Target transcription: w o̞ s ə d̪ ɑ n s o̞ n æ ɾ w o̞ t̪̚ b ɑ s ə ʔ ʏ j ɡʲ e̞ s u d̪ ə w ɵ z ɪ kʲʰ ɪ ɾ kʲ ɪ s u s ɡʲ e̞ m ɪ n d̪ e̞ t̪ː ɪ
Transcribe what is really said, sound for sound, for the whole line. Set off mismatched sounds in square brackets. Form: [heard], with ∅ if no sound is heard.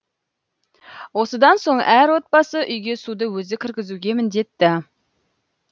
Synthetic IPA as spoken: w o̞ s ə d̪ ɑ n s o̞ [ɴ] æ ɾ w o̞ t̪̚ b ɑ s ə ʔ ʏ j ɡʲ e̞ s u d̪ ə w ɵ z ɪ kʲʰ ɪ ɾ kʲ ɪ [z] u [∅] ɡʲ e̞ m ɪ n d̪ e̞ t̪ː ɪ